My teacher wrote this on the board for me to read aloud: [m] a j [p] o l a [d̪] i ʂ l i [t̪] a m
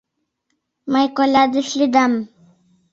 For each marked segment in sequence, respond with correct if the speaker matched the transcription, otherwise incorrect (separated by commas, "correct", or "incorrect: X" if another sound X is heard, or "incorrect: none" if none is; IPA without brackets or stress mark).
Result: correct, incorrect: k, correct, incorrect: d̪